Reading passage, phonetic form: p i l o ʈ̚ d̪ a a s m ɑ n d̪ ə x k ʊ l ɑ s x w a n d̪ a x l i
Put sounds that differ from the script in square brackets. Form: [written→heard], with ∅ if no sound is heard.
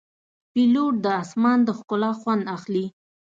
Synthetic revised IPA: p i l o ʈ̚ d̪ [a→ə] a s m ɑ n d̪ ə x k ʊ l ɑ [s→∅] x w a n d̪ a x l i